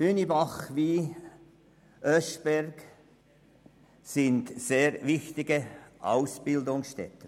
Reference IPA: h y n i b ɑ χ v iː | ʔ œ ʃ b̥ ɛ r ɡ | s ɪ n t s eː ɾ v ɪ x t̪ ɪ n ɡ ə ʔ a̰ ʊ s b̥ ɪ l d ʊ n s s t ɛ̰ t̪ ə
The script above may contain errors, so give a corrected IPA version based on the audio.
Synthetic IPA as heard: h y n i b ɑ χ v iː | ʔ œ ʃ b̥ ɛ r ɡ | s ɪ n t s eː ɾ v ɪ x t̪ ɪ ɡ ə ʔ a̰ ʊ s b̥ ɪ l d ʊ ŋ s ʃ t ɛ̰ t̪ ə